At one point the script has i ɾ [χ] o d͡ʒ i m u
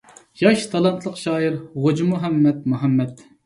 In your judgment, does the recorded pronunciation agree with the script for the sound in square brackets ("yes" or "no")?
no